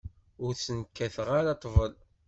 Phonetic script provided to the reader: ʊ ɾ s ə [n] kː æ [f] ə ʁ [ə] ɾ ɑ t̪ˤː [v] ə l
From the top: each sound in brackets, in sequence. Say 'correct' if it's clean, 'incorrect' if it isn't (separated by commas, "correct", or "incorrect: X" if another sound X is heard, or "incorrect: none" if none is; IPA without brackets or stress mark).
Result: correct, incorrect: θ, incorrect: a, correct